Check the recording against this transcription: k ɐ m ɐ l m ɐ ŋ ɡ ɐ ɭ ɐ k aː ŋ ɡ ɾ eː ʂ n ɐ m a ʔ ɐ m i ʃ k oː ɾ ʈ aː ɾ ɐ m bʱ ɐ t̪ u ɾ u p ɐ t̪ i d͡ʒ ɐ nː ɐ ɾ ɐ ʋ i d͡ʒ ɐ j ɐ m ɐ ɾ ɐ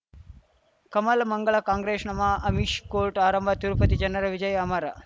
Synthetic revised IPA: k ɐ m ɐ l m ɐ ŋ ɡ ɐ ɭ ɐ k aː ŋ ɡ ɾ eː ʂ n ɐ m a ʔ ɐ m i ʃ k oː ɾ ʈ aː ɾ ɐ m bʱ ɐ t̪ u ɾ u p ɐ t̪ i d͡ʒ ɐ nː ɐ ɾ ɐ ʋ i d͡ʒ ɐ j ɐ m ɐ ɾ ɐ